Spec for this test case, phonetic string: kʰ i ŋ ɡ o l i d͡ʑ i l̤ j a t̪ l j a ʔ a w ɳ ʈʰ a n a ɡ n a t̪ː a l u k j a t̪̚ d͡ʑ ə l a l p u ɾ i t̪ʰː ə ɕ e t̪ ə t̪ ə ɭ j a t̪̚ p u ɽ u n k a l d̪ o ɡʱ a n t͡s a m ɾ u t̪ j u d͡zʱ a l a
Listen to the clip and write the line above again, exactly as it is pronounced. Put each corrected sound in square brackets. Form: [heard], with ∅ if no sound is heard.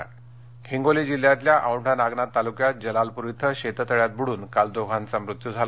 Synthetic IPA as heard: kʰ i ŋ ɡ o l i d͡ʑ i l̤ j a t̪ l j a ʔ a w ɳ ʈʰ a n a ɡ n a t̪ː a l u k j a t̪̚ d͡ʑ ə l a l p u ɾ i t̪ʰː ə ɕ e t̪ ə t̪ ə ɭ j a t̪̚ [b] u ɽ [uː] n k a l d̪ o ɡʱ a n t͡s a m ɾ u t̪ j u d͡zʱ a l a